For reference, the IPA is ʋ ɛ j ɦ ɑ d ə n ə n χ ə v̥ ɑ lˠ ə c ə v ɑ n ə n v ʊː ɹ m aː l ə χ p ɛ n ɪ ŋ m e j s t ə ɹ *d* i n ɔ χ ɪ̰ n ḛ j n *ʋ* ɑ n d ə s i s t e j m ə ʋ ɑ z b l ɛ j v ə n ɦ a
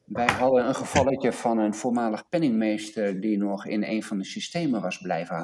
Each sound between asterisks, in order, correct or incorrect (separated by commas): correct, incorrect